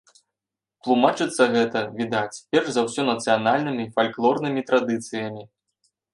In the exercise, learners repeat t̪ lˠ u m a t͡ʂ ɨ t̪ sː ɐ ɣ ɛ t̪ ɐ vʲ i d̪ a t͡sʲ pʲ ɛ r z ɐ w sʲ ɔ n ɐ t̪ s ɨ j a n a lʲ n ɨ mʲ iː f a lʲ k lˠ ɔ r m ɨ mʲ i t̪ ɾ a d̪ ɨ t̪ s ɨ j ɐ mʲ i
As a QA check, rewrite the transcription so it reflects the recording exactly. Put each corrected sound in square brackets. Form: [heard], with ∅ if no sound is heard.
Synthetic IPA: t̪ lˠ u m a t͡ʂ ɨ t̪ sː ɐ ɣ ɛ t̪ ɐ vʲ i d̪ a t͡sʲ pʲ ɛ r z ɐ w sʲ ɔ n ɐ t̪ s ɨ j a n a lʲ n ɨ mʲ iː f a lʲ k lˠ ɔ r [n] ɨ mʲ i t̪ ɾ a d̪ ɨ t̪ s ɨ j ɐ mʲ i